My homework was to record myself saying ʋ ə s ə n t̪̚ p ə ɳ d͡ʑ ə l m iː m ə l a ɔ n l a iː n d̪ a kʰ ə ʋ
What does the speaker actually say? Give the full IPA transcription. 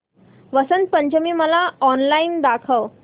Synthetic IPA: ʋ ə s ə n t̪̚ p ə ɲ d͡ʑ ə m iː m ə l a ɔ n l a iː n d̪ a kʰ ə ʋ